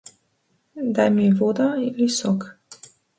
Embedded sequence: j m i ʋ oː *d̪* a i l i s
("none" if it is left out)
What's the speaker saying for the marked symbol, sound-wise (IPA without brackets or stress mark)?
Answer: d̪